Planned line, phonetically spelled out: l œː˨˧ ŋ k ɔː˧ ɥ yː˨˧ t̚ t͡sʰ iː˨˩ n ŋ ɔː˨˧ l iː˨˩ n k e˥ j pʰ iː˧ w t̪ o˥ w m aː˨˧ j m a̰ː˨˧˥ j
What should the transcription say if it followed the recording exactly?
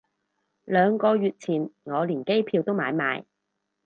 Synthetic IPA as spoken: l œː˨˧ ŋ k ɔː˧ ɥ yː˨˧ t̚ t͡sʰ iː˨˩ n ŋ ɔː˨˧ l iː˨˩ n k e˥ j pʰ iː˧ w t̪ o˥ w m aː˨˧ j m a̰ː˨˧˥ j